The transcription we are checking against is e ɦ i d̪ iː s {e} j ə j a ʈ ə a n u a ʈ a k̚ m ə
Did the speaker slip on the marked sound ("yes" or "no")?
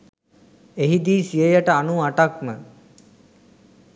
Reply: yes